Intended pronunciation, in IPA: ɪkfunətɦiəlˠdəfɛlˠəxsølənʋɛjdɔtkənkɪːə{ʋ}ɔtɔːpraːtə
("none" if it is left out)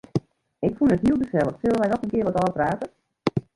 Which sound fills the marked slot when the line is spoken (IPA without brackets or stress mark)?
ʋ